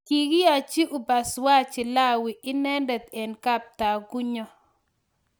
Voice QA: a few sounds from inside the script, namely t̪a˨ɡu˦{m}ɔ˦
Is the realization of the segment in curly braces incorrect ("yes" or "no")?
yes